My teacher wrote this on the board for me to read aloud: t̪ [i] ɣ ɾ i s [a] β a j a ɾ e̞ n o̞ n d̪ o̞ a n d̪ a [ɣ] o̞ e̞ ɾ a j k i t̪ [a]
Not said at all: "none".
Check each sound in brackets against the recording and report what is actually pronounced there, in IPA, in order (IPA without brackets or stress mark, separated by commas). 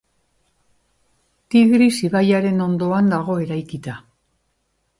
i, i, ɣ, a